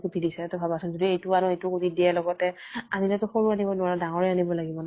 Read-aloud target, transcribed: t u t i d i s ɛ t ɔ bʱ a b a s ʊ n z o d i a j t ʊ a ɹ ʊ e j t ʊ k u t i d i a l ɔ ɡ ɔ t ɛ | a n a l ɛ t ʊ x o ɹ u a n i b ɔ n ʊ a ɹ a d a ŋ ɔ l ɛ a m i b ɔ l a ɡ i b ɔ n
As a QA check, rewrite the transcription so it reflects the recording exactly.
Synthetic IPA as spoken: k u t i d i s ɛ t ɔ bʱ a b a s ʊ n z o d i e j t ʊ a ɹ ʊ e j t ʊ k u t i d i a l ɔ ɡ ɔ t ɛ | a n i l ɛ t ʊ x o ɹ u a n i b ɔ n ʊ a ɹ a d a ŋ ɔ ɹ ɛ a n i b ɔ l a ɡ i b ɔ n